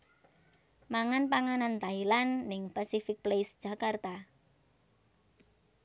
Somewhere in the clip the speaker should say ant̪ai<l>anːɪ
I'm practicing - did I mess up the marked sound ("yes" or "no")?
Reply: no